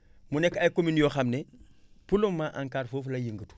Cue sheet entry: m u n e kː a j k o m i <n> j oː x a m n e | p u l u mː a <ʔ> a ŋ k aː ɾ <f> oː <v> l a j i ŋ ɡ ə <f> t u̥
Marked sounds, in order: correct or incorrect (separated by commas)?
correct, correct, correct, incorrect, incorrect